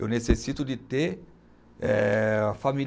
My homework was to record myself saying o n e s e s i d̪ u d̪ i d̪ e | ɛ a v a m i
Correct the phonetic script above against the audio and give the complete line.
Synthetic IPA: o n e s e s i t̪ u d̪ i t̪ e | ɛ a f a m i